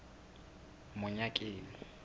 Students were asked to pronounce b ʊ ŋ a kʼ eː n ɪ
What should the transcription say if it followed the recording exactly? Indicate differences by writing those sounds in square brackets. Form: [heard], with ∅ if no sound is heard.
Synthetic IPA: [m] ʊ [ɲ] a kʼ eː n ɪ